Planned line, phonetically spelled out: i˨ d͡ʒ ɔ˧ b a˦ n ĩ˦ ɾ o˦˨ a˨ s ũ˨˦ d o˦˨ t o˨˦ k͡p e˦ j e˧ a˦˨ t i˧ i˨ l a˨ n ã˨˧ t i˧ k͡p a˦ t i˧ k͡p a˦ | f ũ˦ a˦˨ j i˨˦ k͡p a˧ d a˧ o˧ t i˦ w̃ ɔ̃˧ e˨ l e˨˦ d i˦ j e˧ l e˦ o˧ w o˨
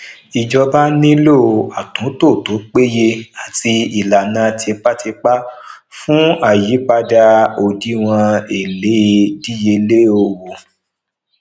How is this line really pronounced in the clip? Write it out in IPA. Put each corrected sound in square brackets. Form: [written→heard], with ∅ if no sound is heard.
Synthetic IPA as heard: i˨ d͡ʒ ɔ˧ b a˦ n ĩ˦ [ɾ→l] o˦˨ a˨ [s→t] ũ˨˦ [d→t] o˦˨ t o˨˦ k͡p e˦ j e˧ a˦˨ t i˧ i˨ l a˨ n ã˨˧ t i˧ k͡p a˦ t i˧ k͡p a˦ | f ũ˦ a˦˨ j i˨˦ k͡p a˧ d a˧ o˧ [t→d] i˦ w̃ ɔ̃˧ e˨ l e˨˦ d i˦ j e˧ l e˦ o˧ w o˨